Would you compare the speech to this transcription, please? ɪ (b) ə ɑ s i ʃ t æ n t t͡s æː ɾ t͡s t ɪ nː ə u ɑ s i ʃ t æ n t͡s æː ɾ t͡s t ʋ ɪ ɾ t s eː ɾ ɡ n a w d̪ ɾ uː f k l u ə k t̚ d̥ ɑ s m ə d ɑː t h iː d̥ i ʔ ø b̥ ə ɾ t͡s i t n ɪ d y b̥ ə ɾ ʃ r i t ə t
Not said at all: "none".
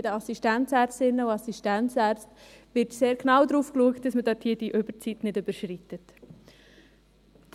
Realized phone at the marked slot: d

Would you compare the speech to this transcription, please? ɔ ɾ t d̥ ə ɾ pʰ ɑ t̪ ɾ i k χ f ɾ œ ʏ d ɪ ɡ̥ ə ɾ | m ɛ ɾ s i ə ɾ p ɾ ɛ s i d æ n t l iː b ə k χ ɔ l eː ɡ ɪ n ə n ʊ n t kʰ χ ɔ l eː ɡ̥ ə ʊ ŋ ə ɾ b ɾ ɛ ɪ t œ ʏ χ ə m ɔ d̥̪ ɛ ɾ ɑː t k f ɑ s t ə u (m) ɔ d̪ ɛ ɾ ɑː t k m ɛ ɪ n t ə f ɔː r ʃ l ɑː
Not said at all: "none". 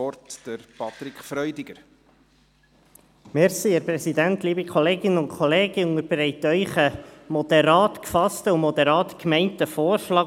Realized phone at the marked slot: m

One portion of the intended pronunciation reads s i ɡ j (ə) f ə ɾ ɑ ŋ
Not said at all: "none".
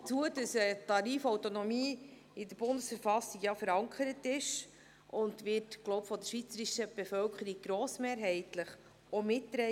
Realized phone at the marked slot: ɑ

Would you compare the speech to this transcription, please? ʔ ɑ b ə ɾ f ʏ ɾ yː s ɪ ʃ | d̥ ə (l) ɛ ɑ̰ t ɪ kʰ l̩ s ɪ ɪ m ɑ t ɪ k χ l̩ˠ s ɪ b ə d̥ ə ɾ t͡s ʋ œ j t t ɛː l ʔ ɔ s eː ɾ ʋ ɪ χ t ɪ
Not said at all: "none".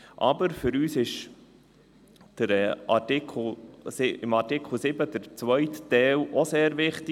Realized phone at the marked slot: ɾ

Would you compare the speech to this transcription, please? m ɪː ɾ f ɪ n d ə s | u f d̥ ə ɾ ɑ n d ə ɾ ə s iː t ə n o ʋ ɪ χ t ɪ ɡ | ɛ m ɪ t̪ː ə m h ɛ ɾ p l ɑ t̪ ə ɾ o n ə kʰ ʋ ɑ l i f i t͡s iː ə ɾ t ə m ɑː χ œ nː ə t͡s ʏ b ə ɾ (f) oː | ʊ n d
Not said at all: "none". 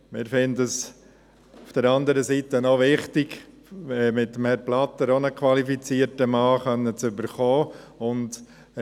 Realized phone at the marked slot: χ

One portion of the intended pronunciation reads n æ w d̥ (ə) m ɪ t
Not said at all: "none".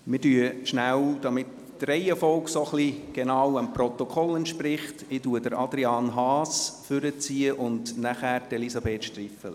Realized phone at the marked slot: ɑ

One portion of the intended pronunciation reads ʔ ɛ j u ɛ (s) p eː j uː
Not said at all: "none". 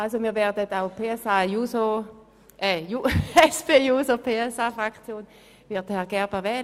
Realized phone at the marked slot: s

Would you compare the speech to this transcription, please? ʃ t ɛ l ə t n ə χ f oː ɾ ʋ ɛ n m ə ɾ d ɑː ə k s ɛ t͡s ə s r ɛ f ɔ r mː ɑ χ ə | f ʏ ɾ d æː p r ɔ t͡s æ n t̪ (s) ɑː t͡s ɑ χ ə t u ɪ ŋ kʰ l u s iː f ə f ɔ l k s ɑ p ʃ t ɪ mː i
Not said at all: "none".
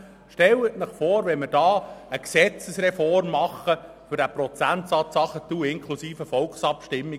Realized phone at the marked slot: s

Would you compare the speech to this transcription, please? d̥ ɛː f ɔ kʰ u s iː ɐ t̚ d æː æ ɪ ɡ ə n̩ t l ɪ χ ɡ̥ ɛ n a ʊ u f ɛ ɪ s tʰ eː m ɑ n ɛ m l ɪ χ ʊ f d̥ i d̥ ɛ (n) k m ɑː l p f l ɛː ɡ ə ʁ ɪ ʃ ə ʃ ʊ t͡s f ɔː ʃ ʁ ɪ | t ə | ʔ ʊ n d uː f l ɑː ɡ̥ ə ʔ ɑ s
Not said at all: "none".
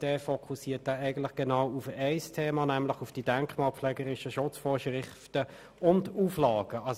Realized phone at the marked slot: ŋ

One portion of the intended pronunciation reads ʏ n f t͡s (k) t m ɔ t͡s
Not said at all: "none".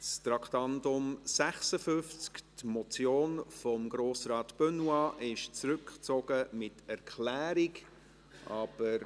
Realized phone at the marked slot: k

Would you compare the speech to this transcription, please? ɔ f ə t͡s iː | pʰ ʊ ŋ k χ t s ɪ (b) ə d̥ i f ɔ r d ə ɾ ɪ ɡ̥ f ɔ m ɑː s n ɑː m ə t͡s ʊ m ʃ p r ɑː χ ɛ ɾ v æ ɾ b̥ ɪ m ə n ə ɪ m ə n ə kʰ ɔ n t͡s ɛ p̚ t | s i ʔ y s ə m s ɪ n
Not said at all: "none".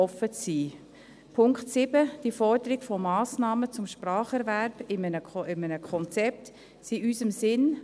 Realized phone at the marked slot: b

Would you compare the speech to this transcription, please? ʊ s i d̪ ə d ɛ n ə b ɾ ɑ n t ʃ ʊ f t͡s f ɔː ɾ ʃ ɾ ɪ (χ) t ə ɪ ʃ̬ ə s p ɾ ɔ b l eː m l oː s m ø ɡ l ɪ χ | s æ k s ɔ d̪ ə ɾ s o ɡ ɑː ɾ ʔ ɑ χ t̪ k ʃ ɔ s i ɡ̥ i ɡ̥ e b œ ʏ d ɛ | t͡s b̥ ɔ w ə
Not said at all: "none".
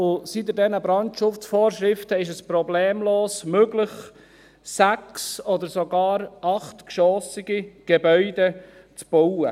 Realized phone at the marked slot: f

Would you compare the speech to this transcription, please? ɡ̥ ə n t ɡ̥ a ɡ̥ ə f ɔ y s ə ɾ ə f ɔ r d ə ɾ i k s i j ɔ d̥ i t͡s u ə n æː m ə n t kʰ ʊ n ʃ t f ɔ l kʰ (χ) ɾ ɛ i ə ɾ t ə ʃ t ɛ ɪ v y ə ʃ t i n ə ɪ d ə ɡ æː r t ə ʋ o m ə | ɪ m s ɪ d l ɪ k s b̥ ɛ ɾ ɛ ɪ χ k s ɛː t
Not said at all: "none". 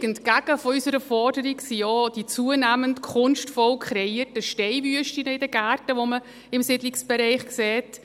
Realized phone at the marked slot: χ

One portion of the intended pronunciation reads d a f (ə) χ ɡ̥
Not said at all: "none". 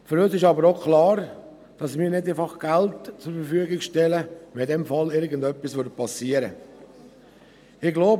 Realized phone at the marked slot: ɑ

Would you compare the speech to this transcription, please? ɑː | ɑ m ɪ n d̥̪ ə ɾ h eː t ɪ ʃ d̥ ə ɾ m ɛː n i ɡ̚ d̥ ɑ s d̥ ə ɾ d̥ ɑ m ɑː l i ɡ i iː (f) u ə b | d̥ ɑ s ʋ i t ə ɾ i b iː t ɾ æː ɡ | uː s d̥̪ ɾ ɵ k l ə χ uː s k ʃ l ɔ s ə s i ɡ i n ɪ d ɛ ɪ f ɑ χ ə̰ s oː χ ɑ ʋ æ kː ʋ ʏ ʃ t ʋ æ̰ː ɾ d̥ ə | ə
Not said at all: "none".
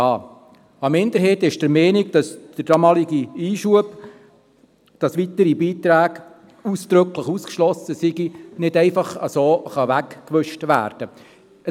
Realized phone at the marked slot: ʃ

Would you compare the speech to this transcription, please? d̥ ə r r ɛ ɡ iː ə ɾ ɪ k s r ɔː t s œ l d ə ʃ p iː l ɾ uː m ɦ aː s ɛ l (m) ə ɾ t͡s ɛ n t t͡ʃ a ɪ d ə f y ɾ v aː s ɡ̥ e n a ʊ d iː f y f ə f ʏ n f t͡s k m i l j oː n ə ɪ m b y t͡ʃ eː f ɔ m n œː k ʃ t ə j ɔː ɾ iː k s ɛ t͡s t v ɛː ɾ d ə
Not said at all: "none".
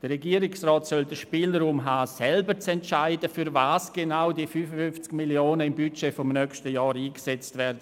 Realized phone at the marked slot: b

